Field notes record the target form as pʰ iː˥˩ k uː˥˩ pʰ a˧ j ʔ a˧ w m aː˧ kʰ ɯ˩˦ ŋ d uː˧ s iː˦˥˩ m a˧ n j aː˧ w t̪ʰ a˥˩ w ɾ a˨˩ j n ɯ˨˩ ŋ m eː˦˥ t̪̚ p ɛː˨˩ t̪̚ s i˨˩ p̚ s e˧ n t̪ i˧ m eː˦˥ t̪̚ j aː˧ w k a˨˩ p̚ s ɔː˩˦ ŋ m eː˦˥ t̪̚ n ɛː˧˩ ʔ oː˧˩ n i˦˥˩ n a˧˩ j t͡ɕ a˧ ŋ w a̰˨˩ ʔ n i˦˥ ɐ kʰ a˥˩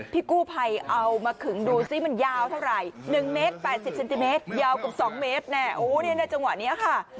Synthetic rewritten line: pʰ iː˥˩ k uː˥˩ pʰ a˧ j ʔ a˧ w m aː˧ kʰ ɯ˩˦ ŋ d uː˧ s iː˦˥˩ m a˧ n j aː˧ w t̪ʰ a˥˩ w ɾ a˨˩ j n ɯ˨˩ ŋ m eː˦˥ t̪̚ p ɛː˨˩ t̪̚ s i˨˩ p̚ s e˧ n t̪ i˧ m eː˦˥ t̪̚ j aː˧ w k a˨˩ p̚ s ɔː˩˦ ŋ m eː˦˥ t̪̚ n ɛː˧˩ ʔ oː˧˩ n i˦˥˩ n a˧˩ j t͡ɕ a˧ ŋ w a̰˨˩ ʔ n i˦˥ ɐ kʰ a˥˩

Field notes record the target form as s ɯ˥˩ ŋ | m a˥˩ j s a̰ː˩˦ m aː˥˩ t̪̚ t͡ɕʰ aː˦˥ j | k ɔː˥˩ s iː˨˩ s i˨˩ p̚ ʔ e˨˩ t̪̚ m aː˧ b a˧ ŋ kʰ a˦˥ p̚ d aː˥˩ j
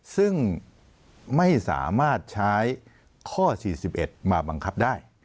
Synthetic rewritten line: s ɯ˥˩ ŋ | m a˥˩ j s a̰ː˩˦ m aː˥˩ t̪̚ t͡ɕʰ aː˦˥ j | kʰ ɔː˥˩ s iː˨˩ s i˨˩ p̚ ʔ e˨˩ t̪̚ m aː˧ b a˧ ŋ kʰ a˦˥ p̚ d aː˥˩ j

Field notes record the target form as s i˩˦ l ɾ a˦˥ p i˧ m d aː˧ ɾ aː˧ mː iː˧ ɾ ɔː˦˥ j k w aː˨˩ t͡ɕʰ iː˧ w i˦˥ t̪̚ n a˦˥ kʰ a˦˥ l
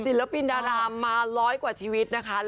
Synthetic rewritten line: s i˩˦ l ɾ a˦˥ p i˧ n d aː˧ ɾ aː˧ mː aː˧ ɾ ɔː˦˥ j k w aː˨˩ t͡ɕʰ iː˧ w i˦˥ t̪̚ n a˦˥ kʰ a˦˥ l

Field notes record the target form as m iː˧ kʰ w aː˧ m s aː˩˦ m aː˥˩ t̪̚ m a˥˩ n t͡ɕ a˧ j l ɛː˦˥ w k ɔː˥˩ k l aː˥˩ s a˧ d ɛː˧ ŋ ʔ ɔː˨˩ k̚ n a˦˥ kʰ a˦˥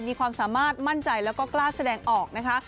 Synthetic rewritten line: m iː˧ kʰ w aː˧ m s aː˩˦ m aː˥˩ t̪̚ m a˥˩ n t͡ɕ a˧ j l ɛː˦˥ w k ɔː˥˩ k l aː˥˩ s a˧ d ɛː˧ ŋ ʔ ɔː˨˩ k̚ n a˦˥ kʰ a˦˥

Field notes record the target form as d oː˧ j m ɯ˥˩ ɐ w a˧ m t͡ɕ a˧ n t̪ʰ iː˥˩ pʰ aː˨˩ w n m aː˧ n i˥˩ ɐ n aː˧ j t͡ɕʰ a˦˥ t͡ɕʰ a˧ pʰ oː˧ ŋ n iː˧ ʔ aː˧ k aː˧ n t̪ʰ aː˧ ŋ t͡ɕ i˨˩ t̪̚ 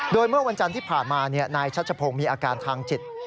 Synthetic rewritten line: d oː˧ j m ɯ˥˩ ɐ w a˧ n t͡ɕ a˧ n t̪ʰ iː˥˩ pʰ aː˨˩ n m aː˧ n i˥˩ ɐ n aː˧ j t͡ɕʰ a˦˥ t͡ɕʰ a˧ pʰ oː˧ ŋ m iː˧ ʔ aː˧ k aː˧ n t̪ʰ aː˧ ŋ t͡ɕ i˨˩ t̪̚

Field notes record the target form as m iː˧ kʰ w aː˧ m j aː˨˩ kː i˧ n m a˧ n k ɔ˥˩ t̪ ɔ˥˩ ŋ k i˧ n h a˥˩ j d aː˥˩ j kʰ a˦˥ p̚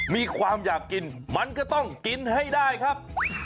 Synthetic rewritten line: m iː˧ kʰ w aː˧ m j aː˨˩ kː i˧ n m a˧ n k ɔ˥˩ t̪ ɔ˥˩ ŋ k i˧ n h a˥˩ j d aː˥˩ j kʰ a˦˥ p̚

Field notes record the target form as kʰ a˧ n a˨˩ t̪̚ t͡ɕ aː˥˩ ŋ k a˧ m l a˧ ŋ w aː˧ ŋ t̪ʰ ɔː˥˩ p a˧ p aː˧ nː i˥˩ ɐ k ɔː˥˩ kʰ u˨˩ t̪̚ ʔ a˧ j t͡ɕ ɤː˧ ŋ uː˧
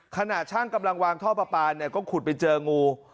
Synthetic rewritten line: kʰ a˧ n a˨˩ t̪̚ t͡ɕʰ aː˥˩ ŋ k a˧ m l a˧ ŋ w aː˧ ŋ t̪ʰ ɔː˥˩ p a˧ p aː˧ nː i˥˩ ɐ k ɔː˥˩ kʰ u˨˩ t̪̚ p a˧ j t͡ɕ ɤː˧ ŋ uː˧

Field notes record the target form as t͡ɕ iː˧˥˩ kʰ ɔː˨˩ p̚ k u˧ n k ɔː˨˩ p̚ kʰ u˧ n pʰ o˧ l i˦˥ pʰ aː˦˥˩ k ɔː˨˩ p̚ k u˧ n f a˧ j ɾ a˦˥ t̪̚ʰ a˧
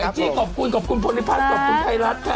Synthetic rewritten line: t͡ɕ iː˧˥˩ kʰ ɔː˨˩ p̚ k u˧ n k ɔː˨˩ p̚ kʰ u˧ n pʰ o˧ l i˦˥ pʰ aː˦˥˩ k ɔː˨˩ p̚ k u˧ n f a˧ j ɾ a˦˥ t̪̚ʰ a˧

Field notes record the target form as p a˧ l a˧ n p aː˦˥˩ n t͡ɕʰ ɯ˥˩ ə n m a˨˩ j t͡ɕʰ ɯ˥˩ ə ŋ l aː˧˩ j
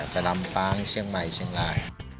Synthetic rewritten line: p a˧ l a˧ m p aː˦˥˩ ŋ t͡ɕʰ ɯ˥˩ ə ŋ m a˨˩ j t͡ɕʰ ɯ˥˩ ə ŋ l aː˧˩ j

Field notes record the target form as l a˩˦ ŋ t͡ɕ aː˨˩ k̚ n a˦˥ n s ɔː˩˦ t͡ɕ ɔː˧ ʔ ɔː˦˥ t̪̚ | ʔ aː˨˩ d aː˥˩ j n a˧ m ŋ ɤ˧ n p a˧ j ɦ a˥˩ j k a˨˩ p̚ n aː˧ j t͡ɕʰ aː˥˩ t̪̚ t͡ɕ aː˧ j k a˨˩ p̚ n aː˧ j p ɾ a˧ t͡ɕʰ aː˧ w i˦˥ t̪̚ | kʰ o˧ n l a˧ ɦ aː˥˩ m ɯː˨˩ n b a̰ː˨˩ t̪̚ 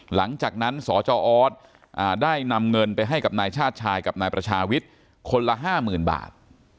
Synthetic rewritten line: l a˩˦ ŋ t͡ɕ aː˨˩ k̚ n a˦˥ n s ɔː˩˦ t͡ɕ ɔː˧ ʔ ɔː˦˥ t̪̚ | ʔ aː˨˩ d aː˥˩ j n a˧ m ŋ ɤ˧ n p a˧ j ɦ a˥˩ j k a˨˩ p̚ n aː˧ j t͡ɕʰ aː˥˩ t̪̚ t͡ɕʰ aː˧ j k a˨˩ p̚ n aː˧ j p ɾ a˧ t͡ɕʰ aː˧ w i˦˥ t̪̚ | kʰ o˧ n l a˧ ɦ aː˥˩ m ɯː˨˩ n b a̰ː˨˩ t̪̚

